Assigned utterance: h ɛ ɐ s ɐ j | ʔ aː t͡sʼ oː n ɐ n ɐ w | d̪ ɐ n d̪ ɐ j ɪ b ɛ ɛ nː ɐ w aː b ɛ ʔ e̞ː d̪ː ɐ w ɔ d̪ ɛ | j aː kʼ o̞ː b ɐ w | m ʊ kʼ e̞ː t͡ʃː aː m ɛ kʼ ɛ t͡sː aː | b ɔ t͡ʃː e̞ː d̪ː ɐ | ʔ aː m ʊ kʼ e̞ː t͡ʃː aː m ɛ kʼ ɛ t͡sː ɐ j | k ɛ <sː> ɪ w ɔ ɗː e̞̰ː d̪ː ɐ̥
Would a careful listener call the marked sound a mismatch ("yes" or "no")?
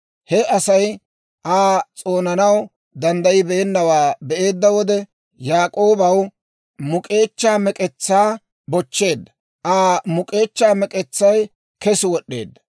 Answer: yes